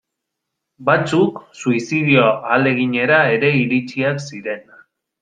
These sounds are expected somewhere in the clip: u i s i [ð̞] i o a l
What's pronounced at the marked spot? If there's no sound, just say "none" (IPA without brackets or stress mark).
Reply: ð̞